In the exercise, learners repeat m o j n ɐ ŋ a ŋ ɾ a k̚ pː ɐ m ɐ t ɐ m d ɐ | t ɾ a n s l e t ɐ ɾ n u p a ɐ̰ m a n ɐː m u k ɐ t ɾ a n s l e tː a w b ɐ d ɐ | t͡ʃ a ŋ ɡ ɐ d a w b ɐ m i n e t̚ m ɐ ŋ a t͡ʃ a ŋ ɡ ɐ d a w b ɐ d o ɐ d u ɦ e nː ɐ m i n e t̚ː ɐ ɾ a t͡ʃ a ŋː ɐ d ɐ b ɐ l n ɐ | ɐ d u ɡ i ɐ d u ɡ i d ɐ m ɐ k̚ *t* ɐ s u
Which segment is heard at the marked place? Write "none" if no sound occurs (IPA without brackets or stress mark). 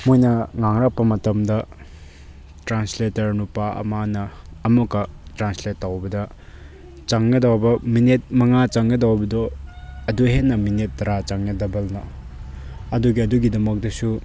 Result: d